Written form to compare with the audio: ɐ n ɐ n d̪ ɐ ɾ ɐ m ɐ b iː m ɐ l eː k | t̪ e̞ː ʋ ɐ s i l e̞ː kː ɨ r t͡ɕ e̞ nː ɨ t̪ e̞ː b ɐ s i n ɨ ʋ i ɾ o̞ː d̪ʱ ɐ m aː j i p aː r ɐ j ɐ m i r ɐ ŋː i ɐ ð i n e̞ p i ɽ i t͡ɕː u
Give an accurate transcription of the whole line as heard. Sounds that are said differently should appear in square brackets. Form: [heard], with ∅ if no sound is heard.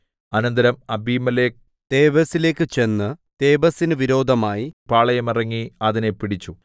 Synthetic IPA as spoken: ɐ n ɐ n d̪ ɐ ɾ ɐ m ɐ b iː m ɐ l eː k | t̪ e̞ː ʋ ɐ s i l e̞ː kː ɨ [∅] t͡ɕ e̞ nː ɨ t̪ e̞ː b ɐ s i n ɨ ʋ i ɾ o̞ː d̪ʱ ɐ m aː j i p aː [ɭ] ɐ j ɐ m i r ɐ ŋː i ɐ ð i n e̞ p i ɽ i t͡ɕː u